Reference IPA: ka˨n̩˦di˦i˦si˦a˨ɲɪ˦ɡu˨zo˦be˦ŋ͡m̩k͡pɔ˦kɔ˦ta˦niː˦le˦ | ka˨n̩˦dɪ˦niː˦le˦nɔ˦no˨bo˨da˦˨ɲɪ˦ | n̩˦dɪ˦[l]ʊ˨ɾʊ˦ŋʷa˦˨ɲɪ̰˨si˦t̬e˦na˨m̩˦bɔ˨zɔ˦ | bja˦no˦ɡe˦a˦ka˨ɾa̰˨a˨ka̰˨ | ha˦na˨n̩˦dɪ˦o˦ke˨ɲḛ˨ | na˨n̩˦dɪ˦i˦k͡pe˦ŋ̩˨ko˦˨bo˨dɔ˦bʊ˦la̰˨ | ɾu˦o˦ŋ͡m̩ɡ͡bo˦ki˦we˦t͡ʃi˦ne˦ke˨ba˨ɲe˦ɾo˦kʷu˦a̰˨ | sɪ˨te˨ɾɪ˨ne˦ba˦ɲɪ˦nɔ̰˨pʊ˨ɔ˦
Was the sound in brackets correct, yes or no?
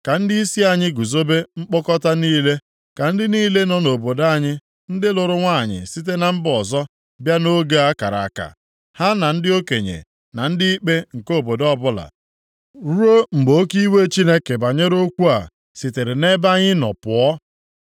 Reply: yes